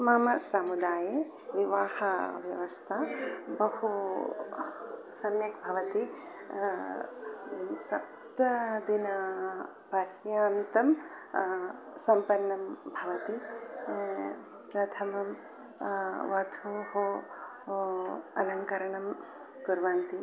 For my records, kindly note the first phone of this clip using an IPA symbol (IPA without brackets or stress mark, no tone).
m